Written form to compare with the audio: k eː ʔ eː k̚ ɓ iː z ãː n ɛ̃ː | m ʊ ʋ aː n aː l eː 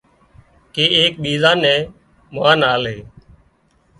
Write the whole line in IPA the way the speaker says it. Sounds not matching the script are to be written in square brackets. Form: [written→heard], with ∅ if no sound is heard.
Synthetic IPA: k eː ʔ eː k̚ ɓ iː z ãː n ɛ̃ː | m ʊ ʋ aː n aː l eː